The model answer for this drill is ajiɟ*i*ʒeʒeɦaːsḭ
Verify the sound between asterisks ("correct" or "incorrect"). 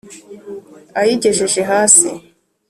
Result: incorrect